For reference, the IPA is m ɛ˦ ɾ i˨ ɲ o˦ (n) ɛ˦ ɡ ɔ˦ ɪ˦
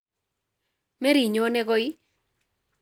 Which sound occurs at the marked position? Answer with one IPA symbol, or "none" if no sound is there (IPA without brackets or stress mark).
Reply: n